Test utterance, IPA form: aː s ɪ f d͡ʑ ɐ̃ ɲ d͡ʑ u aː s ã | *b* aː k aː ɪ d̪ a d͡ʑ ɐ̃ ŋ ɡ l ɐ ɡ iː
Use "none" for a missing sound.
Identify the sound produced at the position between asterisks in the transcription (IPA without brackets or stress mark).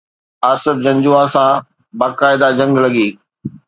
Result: b